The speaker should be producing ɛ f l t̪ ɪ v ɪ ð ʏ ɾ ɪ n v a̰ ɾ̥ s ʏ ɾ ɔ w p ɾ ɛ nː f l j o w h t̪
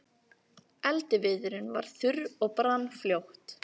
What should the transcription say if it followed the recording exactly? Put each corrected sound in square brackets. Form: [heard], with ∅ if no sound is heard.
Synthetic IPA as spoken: ɛ [∅] l t̪ ɪ v ɪ ð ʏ ɾ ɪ n v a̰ ɾ̥ [θ] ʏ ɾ ɔ [ɣ] p ɾ [a] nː f l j o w h t̪